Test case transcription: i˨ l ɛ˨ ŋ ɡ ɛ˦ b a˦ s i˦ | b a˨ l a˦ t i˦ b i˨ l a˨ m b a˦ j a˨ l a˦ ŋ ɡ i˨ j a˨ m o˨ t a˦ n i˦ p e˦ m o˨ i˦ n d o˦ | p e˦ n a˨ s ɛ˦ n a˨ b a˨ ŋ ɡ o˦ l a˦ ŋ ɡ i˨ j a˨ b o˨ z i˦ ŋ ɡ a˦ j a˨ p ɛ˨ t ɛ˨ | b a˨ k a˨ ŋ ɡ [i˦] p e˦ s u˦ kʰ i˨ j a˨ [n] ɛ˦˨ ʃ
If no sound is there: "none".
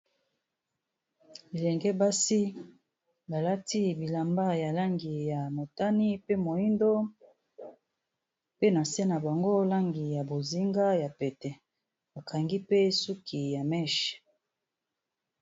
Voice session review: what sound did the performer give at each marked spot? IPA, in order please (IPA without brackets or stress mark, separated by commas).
i˦, m